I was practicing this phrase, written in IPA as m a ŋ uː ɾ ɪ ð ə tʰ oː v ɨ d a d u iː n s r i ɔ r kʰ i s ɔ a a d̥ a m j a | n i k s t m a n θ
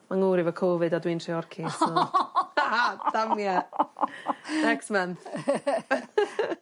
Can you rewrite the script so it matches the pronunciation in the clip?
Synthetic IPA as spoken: m a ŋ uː ɾ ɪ v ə kʰ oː v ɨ d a d w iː n t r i ɔ r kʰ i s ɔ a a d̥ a m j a | n ɛ k s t m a n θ